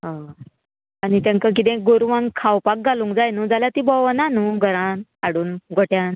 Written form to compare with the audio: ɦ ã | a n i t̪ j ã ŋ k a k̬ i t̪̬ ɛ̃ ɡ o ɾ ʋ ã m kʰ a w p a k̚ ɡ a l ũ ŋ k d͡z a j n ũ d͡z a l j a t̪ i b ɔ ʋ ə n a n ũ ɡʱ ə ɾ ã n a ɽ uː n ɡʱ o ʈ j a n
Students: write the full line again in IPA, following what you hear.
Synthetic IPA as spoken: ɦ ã | a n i t̪ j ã ŋ k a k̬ i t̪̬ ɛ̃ ɡ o ɾ ʋ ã ŋ kʰ a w p a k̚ ɡ a l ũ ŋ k d͡z a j n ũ d͡z a l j a t̪ i b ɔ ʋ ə n a n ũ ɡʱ ə ɾ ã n a ɽ uː n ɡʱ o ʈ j a n

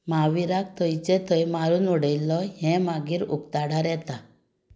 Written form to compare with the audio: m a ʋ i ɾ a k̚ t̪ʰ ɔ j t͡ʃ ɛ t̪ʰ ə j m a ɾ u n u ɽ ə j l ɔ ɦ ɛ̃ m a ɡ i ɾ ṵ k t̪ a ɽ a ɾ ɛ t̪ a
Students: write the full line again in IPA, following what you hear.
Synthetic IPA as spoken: m a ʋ i ɾ a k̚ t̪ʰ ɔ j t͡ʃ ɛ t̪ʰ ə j m a ɾ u n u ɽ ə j l ɔ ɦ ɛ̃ m a ɡ i ɾ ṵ k t̪ a ɽ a ɾ ɛ t̪ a

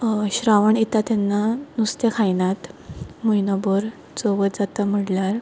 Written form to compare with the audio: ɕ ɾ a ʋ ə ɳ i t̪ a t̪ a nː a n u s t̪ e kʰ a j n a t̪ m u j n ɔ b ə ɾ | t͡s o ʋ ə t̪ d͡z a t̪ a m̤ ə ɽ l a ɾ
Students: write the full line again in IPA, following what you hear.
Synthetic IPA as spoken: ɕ ɾ a ʋ ə ɳ i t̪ a t̪ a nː a n u s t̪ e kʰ a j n a t̪ m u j n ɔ b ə ɾ | t͡s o ʋ ə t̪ d͡z a t̪ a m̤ ə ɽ l a ɾ

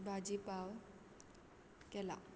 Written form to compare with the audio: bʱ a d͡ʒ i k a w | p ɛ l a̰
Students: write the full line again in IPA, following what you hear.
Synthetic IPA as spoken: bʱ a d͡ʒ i p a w | k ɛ l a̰

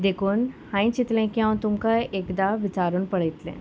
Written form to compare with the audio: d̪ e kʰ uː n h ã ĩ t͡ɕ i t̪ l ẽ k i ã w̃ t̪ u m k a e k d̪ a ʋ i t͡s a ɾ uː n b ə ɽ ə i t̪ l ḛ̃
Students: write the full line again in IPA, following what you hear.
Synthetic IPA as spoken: d̪ e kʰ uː n h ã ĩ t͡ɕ i t̪ l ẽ k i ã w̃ t̪ u m k a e k d̪ a ʋ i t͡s a ɾ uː n p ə ɽ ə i t̪ l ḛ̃

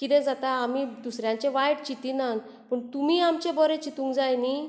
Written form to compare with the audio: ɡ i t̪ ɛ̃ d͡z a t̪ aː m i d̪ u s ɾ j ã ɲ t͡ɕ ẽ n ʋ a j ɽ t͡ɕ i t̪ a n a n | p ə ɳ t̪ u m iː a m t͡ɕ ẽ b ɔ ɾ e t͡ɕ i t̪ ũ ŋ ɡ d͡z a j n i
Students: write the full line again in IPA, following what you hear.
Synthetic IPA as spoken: k i t̪ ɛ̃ d͡z a t̪ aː m i d̪ u s ɾ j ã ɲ t͡ɕ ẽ ʋ a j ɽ t͡ɕ i t̪ i n a n | p ə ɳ t̪ u m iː a m t͡ɕ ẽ b ɔ ɾ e t͡ɕ i t̪ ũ ŋ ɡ d͡z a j n i

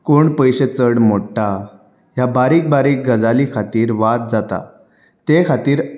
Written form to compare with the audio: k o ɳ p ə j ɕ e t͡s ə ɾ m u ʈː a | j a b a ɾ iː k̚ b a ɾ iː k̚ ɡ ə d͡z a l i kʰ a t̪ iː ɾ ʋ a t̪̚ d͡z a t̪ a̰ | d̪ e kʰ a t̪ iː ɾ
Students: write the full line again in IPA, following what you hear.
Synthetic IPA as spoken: k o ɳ p ə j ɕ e t͡s ə ɽ m o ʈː a | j a b a ɾ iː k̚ b a ɾ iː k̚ ɡ ə d͡z a l i kʰ a t̪ iː ɾ ʋ a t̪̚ d͡z a t̪ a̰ | t̪ e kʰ a t̪ iː ɾ

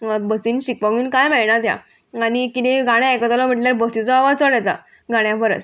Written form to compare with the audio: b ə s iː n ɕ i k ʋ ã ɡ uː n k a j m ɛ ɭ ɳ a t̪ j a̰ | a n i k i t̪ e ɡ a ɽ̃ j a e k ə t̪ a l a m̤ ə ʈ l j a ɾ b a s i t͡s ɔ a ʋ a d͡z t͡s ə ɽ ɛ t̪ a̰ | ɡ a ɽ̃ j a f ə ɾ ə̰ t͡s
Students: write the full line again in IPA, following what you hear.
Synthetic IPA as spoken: b ə s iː n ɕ i k ʋ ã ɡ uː n k a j m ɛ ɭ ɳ a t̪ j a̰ | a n i k i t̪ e ɡ a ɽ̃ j a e k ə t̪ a l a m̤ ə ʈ l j a ɾ b ə s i t͡s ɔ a ʋ a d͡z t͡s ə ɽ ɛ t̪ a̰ | ɡ a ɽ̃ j a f ə ɾ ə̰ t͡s

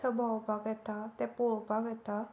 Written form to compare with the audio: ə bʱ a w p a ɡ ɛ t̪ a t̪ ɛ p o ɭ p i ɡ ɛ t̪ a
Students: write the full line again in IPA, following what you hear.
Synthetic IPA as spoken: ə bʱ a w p a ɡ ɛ t̪ a t̪ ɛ p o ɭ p a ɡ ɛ t̪ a

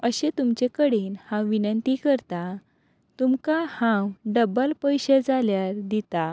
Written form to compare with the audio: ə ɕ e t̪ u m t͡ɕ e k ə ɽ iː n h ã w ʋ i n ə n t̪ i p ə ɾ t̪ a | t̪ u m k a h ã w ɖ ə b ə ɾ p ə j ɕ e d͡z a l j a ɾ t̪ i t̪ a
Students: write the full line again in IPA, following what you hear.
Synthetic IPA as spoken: ə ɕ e t̪ u m t͡ɕ e k ə ɽ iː n h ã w ʋ i n ə n t̪ i k ə ɾ t̪ a | t̪ u m k a h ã w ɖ ə b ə l p ə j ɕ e d͡z a l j a ɾ d̪ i t̪ a

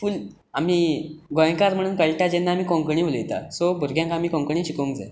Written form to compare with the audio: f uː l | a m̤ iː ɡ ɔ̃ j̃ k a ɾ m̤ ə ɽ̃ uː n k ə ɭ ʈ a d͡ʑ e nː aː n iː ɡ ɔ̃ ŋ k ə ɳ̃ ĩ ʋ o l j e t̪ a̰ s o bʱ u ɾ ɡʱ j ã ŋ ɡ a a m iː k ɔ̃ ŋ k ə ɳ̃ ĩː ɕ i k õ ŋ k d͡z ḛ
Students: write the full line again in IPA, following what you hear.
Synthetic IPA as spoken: f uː l | a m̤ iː ɡ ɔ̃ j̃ k a ɾ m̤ ə ɽ̃ uː n k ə ɭ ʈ a d͡ʑ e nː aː m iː k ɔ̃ ŋ k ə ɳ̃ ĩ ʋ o l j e t̪ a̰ s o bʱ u ɾ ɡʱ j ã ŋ k a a m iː k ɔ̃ ŋ k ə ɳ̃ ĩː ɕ i k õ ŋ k d͡z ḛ

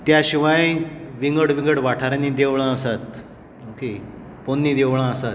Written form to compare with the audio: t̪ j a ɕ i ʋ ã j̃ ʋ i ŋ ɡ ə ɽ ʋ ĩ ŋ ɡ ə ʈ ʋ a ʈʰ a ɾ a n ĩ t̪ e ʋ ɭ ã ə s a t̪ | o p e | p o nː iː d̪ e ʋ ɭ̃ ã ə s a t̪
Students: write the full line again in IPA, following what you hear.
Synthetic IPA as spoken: t̪ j a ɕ i ʋ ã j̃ ʋ i ŋ ɡ ə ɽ ʋ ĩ ŋ ɡ ə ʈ ʋ a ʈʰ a ɾ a n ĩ d̪ e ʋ ɭ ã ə s a t̪ | o k e | p o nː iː d̪ e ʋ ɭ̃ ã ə s a t̪

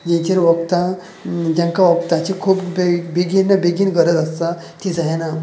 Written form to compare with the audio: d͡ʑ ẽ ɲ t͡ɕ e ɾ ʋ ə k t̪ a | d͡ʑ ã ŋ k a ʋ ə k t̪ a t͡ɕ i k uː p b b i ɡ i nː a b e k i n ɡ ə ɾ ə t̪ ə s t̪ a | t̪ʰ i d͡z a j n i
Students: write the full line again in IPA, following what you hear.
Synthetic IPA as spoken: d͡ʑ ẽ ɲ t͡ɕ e ɾ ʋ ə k t̪ a | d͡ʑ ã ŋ k a ʋ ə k t̪ a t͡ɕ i kʰ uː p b b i ɡ i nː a b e ɡ i n ɡ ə ɾ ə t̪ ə s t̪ a | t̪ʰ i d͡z a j n a

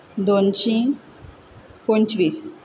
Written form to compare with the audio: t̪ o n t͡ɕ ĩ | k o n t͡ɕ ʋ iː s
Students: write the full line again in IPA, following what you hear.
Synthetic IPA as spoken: d̪ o n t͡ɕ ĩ | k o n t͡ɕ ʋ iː s

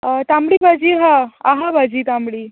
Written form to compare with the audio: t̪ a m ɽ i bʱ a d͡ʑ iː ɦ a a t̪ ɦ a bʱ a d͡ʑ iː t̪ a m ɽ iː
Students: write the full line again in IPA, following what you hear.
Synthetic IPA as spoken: t̪ a m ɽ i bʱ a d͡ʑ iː ɦ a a ɦ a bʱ a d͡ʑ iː t̪ a m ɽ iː

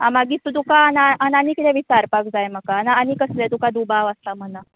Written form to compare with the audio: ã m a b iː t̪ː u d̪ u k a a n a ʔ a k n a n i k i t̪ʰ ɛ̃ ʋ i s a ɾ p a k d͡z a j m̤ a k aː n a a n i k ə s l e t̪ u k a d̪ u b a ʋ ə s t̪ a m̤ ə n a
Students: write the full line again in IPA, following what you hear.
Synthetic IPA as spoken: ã m a ɡ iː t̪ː u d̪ u k a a n a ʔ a n a n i k i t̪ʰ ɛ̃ ʋ i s a ɾ p a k d͡z a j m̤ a k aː n a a n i k ə s l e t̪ u k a d̪ u b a ʋ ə s t̪ a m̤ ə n a

